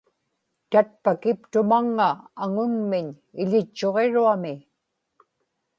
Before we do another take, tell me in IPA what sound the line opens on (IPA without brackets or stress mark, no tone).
t̪